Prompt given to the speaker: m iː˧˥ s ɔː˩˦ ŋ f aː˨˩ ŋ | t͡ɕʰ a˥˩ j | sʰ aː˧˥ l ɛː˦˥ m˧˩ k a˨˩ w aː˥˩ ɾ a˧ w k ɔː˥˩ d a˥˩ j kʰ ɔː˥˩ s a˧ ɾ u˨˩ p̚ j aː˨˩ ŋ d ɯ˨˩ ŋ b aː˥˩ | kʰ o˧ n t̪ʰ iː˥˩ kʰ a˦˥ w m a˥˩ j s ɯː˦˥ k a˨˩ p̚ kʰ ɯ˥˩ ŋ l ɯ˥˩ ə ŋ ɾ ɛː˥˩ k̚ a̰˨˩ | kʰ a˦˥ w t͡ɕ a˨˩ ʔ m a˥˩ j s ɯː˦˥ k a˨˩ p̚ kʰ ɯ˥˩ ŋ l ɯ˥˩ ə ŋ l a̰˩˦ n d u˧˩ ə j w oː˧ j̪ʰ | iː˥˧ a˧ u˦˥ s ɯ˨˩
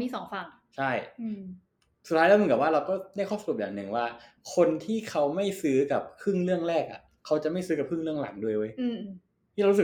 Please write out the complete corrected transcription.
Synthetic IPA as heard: m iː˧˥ s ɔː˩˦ ŋ f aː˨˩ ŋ | t͡ɕʰ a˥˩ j | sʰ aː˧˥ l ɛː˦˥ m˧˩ k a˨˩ w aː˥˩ ɾ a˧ w k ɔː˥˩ d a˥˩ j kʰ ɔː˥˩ s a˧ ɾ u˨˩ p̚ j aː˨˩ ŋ n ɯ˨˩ ŋ w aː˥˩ | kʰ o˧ n t̪ʰ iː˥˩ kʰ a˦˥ w m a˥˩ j s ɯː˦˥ k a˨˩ p̚ kʰ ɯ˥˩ ŋ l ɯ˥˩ ə ŋ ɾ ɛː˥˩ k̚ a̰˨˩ | kʰ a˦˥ w t͡ɕ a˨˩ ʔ m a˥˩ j s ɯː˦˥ k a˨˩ p̚ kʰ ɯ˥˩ ŋ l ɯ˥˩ ə ŋ l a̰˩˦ ŋ d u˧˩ ə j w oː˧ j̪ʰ | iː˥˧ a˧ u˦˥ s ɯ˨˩